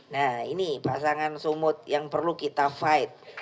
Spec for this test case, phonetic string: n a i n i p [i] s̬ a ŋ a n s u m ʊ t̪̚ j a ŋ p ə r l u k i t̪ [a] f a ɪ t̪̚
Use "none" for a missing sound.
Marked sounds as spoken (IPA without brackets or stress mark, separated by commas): a, a